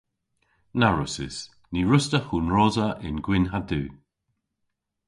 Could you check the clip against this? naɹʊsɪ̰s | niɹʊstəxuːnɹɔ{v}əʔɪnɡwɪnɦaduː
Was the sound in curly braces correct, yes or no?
no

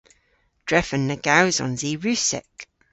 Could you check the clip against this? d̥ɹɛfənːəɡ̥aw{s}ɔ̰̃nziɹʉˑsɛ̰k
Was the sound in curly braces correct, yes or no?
no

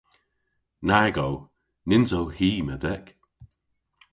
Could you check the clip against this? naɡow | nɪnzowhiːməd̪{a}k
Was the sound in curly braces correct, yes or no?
no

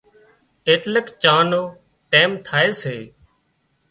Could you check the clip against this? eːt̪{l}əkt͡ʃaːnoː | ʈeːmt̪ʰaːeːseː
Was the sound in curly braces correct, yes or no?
yes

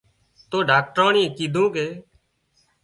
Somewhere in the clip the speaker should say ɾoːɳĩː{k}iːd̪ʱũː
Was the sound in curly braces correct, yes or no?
yes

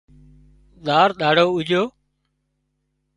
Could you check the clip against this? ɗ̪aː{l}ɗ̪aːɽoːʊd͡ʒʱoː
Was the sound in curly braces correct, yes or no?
no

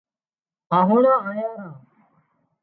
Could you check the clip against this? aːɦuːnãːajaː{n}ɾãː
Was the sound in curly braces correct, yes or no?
no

